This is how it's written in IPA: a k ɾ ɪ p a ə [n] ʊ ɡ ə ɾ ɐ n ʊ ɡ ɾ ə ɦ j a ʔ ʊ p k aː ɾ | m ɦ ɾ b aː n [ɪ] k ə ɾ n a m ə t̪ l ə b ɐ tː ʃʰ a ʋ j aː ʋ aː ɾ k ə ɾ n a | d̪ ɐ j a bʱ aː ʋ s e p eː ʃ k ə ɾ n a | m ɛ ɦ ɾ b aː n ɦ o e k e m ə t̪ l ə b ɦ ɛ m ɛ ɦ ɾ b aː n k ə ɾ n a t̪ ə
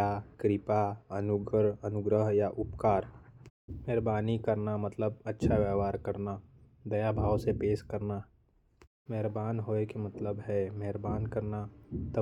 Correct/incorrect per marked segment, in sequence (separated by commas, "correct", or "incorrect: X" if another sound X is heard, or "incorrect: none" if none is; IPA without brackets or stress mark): correct, incorrect: i